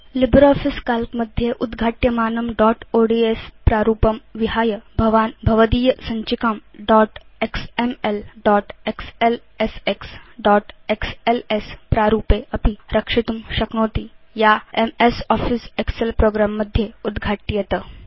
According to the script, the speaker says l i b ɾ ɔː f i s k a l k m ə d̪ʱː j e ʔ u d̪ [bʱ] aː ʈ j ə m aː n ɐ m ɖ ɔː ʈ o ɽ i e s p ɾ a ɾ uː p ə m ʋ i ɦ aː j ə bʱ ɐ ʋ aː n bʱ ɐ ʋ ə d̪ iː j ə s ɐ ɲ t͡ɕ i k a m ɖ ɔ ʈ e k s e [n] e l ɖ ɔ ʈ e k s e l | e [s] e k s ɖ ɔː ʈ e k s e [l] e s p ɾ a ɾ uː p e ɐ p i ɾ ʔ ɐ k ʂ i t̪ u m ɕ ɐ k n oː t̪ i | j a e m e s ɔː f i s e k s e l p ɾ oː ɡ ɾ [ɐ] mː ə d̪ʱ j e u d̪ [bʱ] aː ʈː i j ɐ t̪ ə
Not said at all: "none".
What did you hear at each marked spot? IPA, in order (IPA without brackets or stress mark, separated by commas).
ɡʱ, m, s, l, a, ɡʱ